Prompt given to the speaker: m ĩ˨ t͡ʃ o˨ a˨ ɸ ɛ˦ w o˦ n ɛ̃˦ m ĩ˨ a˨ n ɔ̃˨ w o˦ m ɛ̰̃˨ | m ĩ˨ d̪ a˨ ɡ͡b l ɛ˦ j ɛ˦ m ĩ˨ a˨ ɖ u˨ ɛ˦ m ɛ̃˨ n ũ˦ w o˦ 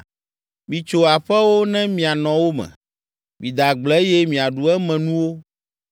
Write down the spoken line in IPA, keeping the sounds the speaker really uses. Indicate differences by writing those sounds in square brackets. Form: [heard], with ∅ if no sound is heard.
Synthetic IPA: m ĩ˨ t͡ʃ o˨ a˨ ɸ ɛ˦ w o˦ n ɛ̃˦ m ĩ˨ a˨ n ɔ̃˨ w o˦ m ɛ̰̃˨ | m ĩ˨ d̪ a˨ ɡ͡b l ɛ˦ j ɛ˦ m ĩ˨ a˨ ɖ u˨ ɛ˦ m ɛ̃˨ n ũ˦ w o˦